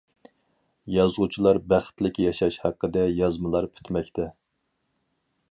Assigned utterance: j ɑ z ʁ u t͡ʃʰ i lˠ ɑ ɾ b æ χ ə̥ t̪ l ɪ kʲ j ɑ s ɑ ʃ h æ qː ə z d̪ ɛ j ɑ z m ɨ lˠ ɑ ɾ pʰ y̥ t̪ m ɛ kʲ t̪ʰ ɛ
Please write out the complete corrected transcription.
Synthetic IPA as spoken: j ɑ z ʁ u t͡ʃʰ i lˠ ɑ ɾ b æ χ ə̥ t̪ l ɪ kʲ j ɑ ʃ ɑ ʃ h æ qː ə d̪ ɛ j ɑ z m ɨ lˠ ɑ ɾ pʰ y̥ t̪ m ɛ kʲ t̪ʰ ɛ